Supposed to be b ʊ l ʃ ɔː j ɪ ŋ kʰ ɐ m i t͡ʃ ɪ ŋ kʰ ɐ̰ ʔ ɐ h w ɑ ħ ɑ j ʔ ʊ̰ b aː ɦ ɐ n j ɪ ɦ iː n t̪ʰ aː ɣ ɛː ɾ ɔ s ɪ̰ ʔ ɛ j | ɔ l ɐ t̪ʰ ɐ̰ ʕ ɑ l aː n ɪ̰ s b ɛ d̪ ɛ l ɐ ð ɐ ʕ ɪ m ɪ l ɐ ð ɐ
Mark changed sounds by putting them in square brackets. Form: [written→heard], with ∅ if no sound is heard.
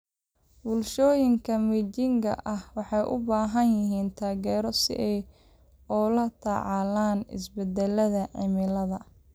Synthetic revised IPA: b ʊ l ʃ ɔː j ɪ ŋ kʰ ɐ m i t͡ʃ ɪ ŋ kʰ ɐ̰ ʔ ɐ h w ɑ ħ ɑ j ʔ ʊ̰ b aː ɦ ɐ n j ɪ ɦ iː n t̪ʰ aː ɣ ɛː ɾ ɔ s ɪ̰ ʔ ɛ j | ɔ l ɐ t̪ʰ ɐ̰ ʕ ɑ l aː n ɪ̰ s b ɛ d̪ ɛ l ɐ ð ɐ ʕ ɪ m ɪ l ɐ ð ɐ

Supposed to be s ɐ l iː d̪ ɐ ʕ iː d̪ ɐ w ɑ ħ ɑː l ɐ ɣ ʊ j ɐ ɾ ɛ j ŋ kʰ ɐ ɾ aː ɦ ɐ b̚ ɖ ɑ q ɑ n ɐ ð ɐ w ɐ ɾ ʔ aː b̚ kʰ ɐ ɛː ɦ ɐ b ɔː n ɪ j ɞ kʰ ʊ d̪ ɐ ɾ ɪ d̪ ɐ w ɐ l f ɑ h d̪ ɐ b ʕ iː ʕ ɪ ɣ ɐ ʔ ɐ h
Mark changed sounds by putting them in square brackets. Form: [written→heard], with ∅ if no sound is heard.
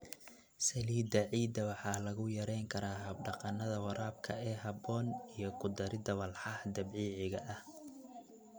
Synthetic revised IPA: s ɐ l iː d̪ ɐ ʕ iː d̪ ɐ w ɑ ħ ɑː l ɐ ɣ ʊ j ɐ ɾ ɛ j ŋ kʰ ɐ ɾ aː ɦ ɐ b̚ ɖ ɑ q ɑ n ɐ ð ɐ w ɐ ɾ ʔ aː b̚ kʰ ɐ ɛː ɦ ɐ b ɔː n [ɪ→i] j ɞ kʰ ʊ d̪ ɐ ɾ ɪ d̪ ɐ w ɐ l [f→ħ] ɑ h d̪ ɐ b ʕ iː ʕ ɪ ɣ ɐ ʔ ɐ h

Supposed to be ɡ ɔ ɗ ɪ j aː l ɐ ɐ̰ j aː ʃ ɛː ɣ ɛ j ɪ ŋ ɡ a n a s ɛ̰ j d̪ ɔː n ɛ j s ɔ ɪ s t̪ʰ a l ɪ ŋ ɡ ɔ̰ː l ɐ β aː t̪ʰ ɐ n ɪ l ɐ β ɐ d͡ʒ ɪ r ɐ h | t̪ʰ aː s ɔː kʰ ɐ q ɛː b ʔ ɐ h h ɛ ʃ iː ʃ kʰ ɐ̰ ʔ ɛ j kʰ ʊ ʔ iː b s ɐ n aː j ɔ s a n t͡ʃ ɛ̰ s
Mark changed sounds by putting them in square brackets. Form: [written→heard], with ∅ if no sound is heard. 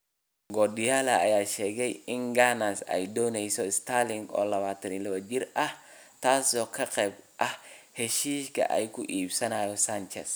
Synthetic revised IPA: ɡ ɔ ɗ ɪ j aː l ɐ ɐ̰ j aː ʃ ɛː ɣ ɛ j ɪ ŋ ɡ a n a s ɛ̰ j d̪ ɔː n ɛ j s ɔ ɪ s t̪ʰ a l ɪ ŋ ɡ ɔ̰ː l ɐ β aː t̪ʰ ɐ n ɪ l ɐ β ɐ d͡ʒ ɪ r ɐ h | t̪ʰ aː s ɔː kʰ ɐ q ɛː b ʔ ɐ h h ɛ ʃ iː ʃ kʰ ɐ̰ ʔ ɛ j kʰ ʊ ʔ iː b s ɐ n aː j ɔ s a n t͡ʃ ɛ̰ s

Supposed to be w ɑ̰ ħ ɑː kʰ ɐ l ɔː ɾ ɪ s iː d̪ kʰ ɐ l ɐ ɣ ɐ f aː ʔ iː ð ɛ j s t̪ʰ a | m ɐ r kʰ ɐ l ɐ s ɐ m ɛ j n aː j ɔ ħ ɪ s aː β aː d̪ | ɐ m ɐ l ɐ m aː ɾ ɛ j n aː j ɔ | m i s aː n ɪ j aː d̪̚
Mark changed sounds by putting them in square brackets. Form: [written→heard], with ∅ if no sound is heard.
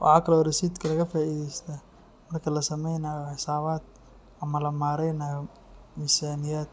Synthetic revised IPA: w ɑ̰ ħ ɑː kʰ ɐ l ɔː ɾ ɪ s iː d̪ kʰ ɐ l ɐ ɣ ɐ f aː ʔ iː ð ɛ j s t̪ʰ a | m ɐ r kʰ ɐ l ɐ s ɐ m ɛ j n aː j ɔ ħ ɪ s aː β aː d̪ | ɐ m ɐ l ɐ m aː ɾ ɛ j n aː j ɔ | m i s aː n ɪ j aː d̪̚

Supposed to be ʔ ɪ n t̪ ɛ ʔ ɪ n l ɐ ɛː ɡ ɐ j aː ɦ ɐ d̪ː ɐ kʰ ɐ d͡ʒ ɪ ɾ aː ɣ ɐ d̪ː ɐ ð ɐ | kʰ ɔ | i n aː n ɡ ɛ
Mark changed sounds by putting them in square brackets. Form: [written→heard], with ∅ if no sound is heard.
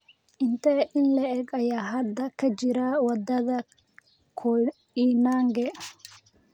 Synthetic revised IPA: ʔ ɪ n t̪ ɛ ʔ ɪ n l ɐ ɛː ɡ ɐ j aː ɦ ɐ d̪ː ɐ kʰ ɐ d͡ʒ ɪ ɾ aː [ɣ→w] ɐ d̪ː ɐ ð ɐ | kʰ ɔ | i n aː [n→ŋ] ɡ ɛ

